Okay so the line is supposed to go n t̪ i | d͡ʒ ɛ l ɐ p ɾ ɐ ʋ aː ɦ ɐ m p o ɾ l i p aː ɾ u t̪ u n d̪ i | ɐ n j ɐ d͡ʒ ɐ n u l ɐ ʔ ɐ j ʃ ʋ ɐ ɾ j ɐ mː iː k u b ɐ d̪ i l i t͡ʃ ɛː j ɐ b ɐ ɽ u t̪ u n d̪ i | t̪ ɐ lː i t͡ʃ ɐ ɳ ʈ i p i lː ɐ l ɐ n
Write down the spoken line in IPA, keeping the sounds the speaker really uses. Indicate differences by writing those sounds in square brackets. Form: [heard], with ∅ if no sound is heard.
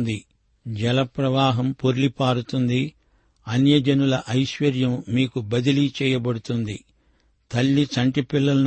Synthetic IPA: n [d̪] i | d͡ʒ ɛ l ɐ p ɾ ɐ ʋ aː ɦ ɐ m p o ɾ l i p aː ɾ u t̪ u n d̪ i | ɐ n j ɐ d͡ʒ ɐ n u l ɐ ʔ ɐ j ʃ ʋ ɐ ɾ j ɐ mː iː k u b ɐ d̪ i l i t͡ʃ ɛː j ɐ b ɐ ɽ u t̪ u n d̪ i | t̪ ɐ lː i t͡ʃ ɐ ɳ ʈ i p i lː ɐ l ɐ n